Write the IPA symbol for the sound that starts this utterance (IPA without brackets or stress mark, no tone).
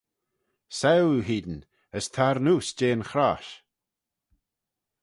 s